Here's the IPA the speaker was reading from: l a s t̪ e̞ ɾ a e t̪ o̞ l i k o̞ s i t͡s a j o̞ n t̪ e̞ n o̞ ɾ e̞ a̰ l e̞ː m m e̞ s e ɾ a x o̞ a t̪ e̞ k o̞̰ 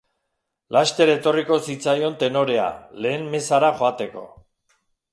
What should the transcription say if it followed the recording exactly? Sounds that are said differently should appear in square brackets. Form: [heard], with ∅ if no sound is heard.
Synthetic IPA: l a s t̪ e̞ ɾ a e t̪ o̞ [r] i k o̞ s i t͡s a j o̞ n t̪ e̞ n o̞ ɾ e̞ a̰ l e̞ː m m e̞ s [a] ɾ a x o̞ a t̪ e̞ k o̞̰